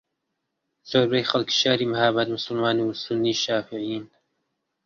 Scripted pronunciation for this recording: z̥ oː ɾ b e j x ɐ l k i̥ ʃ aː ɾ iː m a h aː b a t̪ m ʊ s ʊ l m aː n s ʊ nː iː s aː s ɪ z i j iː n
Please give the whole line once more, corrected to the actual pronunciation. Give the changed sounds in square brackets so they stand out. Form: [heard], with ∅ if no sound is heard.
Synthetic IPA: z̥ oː ɾ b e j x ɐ l k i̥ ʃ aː ɾ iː m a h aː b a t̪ m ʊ s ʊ l m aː n s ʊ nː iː [ʃ] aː [f] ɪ [ʕ] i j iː n